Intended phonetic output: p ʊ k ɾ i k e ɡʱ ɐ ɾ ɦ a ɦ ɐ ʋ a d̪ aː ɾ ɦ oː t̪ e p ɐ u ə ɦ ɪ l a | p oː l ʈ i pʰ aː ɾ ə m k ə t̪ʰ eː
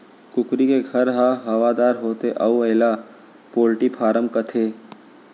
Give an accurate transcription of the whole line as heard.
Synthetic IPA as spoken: k ʊ k ɾ i k e ɡʱ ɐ ɾ ɦ a ɦ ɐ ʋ a d̪ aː ɾ ɦ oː t̪ e ʔ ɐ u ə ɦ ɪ l a | p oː l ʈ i pʰ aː ɾ ə m k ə t̪ʰ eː